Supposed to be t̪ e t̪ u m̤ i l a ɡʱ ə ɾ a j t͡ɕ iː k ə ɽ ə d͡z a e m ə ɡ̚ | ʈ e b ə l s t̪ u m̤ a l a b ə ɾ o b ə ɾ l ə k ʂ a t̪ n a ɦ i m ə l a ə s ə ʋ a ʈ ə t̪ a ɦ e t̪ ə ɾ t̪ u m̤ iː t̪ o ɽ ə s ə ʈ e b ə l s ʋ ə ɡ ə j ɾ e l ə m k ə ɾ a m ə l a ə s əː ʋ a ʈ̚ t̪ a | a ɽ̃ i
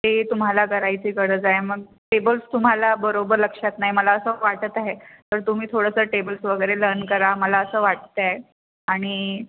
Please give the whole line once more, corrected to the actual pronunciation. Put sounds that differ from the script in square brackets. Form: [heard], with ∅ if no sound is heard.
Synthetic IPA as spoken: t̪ e t̪ u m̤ [a] l a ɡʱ ə ɾ a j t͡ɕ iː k ə ɽ ə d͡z a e m ə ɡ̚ | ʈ e b ə l s t̪ u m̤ a l a b ə ɾ o b ə ɾ l ə k ʂ a t̪ n a ɦ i m ə l a ə s ə ʋ a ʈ ə t̪ a ɦ e t̪ ə ɾ t̪ u m̤ iː [t̪ʰ] o ɽ ə s ə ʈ e b ə l s ʋ ə ɡ ə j ɾ e l ə [n] k ə ɾ a m ə l a ə s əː ʋ a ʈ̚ t̪ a | a ɽ̃ i